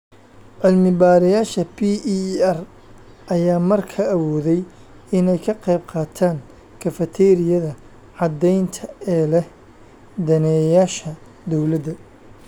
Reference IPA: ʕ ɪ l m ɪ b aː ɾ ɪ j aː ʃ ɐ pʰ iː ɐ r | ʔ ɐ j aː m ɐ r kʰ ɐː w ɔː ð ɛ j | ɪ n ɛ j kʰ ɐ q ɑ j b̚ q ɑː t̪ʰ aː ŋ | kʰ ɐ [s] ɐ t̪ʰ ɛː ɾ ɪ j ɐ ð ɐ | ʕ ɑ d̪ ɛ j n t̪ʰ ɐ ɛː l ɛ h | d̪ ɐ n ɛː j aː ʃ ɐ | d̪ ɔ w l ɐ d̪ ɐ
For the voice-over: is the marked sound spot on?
no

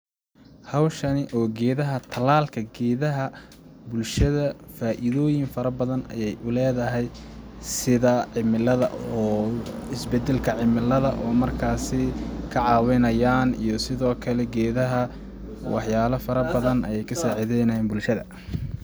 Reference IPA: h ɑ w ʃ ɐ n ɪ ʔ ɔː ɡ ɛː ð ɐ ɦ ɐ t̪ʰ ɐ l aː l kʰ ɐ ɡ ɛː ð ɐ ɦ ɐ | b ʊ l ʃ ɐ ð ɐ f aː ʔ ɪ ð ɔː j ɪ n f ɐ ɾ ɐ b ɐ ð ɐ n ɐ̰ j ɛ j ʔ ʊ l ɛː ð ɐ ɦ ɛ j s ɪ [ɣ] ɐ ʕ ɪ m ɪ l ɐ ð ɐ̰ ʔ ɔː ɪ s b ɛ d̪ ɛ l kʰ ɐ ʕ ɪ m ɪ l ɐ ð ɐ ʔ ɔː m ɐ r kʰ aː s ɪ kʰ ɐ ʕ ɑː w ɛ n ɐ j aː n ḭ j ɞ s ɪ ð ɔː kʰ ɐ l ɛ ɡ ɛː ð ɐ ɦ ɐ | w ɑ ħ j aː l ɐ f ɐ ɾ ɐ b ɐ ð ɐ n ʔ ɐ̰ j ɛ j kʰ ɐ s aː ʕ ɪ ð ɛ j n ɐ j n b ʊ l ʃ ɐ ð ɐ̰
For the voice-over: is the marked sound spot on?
no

